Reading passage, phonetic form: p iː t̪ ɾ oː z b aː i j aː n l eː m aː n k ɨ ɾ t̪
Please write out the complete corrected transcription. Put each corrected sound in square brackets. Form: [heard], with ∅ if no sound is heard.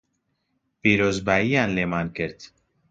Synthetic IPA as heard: p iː [∅] ɾ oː z b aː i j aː n l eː m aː n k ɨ ɾ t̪